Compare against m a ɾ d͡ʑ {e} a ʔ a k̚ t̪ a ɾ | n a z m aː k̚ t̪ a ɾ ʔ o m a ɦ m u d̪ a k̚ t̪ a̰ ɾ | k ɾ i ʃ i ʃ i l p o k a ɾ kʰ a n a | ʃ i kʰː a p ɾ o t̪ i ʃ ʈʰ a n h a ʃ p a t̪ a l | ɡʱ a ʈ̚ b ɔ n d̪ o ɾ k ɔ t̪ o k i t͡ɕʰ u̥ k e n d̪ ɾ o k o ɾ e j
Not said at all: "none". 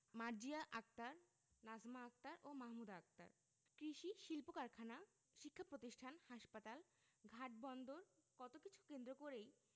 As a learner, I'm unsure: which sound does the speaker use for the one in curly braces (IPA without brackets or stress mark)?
i